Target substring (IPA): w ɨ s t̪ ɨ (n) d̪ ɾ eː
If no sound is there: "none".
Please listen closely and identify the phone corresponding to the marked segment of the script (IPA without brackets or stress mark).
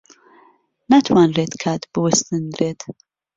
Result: n